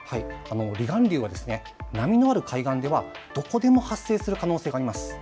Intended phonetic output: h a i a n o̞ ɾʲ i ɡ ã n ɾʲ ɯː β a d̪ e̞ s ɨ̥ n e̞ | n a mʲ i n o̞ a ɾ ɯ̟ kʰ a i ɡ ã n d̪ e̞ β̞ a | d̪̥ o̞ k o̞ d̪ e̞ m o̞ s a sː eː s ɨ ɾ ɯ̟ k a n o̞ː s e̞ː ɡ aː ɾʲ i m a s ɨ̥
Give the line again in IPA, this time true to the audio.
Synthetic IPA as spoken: h a i a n o̞ ɾʲ i ɡ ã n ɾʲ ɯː β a d̪ e̞ s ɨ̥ n e̞ | n a mʲ i n o̞ a ɾ ɯ̟ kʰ a i ɡ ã n d̪ e̞ β̞ a | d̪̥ o̞ k o̞ d̪ e̞ m o̞ h a sː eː s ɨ ɾ ɯ̟ k a n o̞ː s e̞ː ɡ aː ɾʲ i m a s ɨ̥